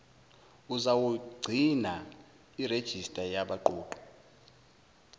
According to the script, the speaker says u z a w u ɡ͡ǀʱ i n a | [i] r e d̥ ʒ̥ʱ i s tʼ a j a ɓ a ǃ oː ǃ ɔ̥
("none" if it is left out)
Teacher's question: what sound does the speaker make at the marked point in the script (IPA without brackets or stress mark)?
i